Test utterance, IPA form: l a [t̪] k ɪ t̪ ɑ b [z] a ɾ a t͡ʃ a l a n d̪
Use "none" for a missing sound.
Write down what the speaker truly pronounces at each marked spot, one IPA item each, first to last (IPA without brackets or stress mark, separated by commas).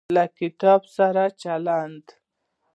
none, s